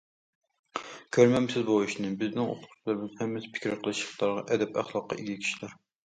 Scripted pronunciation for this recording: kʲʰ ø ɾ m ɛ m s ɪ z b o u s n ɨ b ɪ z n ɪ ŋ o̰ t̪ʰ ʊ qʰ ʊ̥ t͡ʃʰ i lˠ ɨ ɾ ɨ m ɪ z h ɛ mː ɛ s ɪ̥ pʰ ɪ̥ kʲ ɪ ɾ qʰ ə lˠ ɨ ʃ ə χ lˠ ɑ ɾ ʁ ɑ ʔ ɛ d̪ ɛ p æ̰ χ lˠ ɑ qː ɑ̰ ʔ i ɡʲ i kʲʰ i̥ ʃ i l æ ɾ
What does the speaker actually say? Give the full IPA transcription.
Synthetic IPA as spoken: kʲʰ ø ɾ m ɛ m s ɪ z b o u ʃ n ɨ b ɪ z n ɪ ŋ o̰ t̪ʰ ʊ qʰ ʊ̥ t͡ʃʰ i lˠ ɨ ɾ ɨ m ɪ z h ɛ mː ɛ s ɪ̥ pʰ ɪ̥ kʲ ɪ ɾ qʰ ə lˠ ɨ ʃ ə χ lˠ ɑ ɾ ʁ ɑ ʔ ɛ d̪ ɛ p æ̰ χ lˠ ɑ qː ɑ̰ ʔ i ɡʲ i kʲʰ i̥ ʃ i l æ ɾ